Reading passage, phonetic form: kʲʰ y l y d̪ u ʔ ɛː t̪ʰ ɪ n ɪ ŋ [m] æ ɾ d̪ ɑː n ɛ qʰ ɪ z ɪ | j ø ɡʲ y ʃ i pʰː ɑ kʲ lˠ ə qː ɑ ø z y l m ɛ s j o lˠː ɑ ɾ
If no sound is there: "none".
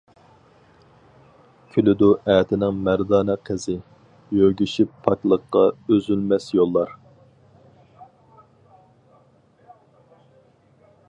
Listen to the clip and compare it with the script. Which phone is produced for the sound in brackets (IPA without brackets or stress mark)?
m